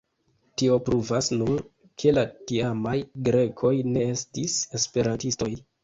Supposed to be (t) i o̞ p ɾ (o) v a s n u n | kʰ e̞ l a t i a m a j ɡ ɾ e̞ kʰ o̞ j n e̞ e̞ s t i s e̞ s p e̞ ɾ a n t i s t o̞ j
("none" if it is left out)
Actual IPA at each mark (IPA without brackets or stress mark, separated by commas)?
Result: t, u